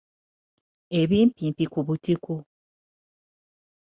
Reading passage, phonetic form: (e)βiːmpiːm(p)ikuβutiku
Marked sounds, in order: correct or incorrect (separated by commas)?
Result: correct, correct